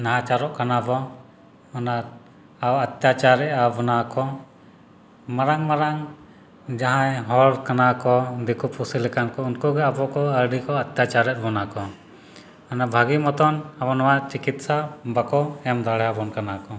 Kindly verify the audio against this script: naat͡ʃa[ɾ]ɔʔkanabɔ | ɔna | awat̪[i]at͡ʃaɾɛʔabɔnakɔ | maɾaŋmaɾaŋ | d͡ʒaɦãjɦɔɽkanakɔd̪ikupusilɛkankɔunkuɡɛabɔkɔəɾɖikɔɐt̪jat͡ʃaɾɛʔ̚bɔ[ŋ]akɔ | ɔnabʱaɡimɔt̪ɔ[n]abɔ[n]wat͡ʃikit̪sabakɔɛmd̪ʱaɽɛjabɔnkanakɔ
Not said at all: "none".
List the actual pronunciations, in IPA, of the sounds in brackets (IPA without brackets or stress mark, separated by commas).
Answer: ɾ, j, n, n, n